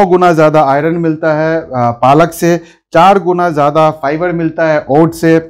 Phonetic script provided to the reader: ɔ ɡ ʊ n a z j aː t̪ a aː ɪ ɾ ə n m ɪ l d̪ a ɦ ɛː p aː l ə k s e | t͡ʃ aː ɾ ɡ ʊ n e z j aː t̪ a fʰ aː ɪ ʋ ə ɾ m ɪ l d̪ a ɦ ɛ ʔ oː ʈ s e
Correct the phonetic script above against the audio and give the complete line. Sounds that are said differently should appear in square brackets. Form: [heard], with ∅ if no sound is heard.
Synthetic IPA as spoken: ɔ ɡ ʊ n a z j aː [d̪] a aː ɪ ɾ ə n m ɪ l [t̪] a ɦ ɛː p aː l ə k s e | t͡ʃ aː ɾ ɡ ʊ n [a] z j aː [d̪] a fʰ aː ɪ ʋ ə ɾ m ɪ l [t̪] a ɦ ɛ ʔ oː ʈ s e